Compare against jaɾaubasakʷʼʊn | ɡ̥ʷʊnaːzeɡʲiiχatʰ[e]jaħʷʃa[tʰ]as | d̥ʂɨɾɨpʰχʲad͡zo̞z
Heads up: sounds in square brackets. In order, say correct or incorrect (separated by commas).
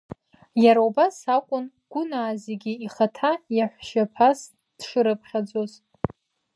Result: incorrect, incorrect